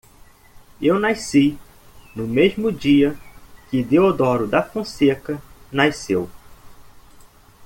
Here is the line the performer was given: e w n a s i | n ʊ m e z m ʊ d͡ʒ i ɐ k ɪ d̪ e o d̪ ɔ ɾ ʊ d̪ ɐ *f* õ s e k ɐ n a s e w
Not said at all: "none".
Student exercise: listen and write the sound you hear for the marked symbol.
f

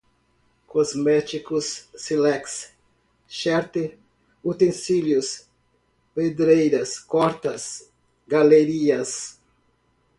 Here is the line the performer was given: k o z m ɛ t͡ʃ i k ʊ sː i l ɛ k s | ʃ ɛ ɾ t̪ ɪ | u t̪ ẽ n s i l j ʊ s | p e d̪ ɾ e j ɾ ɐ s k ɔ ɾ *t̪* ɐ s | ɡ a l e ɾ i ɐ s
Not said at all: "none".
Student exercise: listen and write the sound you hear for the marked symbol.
t̪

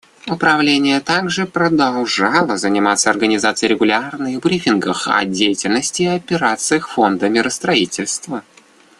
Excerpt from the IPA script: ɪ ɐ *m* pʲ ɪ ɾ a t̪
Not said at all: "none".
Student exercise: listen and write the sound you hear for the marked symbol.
none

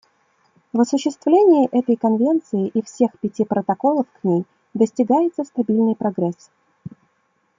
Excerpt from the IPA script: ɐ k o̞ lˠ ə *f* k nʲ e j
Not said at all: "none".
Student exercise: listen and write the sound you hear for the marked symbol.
f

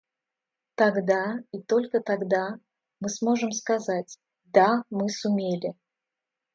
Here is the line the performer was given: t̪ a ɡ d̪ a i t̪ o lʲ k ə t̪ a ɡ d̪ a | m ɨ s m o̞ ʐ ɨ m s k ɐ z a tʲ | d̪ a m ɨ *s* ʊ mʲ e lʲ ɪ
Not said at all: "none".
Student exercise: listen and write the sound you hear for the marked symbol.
s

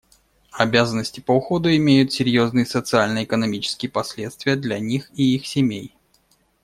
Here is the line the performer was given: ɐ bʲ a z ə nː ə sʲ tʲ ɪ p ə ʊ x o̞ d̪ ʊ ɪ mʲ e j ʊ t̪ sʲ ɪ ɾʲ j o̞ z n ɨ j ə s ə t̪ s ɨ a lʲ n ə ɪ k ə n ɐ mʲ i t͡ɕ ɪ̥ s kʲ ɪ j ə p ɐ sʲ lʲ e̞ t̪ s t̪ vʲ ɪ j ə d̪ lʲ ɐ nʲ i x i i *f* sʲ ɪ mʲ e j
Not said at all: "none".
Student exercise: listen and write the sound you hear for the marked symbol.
x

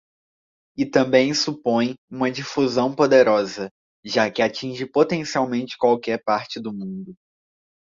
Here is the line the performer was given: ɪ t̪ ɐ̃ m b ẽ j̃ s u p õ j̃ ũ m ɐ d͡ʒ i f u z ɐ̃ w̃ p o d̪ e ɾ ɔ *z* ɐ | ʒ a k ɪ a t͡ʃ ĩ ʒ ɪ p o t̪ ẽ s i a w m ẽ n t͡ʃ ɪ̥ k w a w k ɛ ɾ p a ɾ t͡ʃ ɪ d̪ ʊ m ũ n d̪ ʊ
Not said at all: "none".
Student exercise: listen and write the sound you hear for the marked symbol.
z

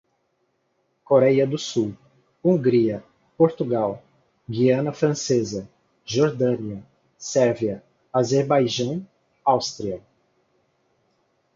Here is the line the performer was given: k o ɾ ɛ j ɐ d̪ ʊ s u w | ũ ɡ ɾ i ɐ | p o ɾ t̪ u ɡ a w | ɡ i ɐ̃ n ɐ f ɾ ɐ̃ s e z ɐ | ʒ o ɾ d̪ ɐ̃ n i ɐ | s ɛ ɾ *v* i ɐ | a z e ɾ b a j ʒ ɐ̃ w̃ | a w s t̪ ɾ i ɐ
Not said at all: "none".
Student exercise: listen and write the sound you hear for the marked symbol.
v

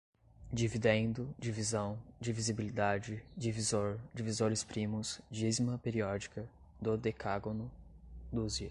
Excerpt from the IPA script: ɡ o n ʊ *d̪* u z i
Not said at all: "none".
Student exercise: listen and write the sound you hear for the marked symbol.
d̪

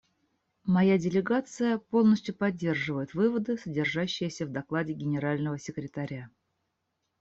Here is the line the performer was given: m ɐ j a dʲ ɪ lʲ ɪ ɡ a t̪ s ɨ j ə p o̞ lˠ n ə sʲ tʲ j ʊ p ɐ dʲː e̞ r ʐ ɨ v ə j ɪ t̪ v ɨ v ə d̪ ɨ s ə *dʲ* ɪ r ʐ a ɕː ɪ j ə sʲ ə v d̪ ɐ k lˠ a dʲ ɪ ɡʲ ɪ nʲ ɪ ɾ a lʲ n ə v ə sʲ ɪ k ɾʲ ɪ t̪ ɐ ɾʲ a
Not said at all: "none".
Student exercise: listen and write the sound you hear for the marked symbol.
dʲ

